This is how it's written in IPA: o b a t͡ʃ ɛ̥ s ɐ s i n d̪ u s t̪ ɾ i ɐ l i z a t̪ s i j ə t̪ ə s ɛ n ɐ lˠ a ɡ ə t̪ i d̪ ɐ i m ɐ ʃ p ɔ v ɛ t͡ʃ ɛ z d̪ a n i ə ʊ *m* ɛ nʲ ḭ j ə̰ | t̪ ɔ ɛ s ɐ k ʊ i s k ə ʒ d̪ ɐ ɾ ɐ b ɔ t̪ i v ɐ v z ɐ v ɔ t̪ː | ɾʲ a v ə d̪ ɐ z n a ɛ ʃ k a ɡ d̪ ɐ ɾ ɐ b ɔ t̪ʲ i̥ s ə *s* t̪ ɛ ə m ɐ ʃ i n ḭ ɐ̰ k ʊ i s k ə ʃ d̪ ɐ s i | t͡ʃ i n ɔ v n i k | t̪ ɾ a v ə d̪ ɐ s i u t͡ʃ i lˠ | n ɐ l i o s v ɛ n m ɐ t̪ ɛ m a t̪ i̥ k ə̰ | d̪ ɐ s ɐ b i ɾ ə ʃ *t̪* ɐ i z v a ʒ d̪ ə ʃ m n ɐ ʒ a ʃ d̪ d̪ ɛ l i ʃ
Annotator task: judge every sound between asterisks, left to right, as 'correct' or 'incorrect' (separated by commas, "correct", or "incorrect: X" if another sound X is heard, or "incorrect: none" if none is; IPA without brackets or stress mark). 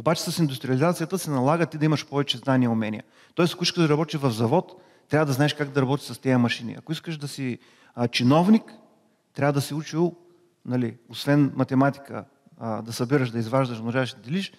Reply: correct, correct, incorrect: d̪